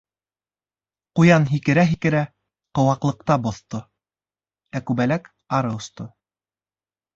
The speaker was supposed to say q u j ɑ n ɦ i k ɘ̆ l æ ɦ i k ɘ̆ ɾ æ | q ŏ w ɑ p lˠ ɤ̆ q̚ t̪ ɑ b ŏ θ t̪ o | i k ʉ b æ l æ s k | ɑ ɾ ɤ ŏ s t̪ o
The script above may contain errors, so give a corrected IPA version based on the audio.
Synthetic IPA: q u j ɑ n ɦ i k ɘ̆ ɾ æ ɦ i k ɘ̆ ɾ æ | q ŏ w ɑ q lˠ ɤ̆ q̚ t̪ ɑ b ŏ θ t̪ o | æ k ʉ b æ l æ k | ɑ ɾ ɤ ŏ s t̪ o